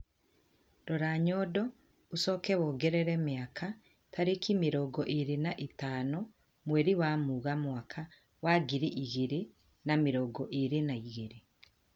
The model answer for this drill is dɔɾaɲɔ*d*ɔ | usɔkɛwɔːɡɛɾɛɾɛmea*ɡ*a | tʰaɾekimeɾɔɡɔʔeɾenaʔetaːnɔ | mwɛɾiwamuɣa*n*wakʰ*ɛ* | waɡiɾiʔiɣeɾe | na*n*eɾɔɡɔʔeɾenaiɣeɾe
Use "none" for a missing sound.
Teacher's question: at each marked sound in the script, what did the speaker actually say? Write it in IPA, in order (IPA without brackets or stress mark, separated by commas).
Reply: d, k, m, a, m